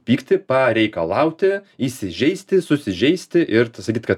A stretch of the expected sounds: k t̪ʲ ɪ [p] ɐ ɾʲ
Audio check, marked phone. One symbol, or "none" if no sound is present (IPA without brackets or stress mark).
p